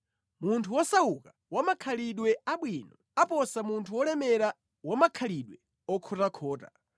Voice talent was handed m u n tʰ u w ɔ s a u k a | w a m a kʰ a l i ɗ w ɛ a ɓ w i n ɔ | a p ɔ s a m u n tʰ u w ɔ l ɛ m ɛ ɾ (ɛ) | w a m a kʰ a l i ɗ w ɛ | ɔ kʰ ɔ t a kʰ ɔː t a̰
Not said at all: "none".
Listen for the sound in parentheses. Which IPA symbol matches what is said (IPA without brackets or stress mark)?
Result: a